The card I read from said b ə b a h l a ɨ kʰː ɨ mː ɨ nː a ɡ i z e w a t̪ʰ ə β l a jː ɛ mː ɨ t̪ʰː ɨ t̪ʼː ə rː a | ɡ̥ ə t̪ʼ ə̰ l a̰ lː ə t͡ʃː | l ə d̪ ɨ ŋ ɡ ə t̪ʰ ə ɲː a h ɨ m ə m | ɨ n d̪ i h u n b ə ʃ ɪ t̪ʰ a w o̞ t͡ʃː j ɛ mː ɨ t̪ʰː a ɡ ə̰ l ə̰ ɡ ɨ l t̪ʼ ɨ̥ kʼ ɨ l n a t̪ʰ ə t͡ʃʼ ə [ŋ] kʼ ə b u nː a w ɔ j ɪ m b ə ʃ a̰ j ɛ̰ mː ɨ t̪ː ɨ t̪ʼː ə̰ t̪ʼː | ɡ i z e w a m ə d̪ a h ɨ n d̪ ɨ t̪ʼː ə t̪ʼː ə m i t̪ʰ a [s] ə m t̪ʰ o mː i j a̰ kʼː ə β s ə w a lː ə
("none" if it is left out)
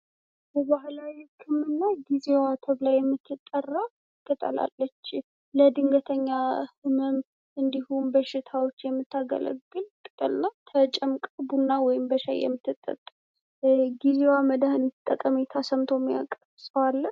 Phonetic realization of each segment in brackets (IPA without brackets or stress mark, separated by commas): m, s